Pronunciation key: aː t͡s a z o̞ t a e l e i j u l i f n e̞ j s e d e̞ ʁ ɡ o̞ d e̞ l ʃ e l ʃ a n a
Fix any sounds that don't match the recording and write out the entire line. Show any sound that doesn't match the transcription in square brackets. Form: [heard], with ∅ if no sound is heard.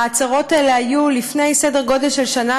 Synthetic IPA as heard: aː t͡s a [ʁ] o̞ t a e l e [a] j u l i f n e̞ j s e d e̞ ʁ ɡ o̞ d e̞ l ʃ e l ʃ a n a